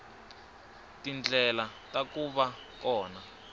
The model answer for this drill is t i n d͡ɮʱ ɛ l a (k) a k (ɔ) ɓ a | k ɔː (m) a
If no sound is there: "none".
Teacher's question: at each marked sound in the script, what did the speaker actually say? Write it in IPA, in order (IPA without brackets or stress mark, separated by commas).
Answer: t, u, n